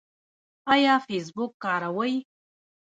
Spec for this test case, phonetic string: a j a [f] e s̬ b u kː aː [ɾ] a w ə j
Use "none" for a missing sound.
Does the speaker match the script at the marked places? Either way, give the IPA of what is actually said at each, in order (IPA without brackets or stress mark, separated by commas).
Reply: f, ɾ